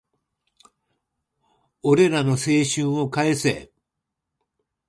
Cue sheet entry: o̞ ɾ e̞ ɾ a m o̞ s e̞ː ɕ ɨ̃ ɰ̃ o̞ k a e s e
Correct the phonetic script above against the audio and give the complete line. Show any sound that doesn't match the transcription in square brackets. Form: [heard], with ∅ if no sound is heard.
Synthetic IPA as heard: o̞ ɾ e̞ ɾ a [n] o̞ s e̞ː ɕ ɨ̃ ɰ̃ o̞ k a e s e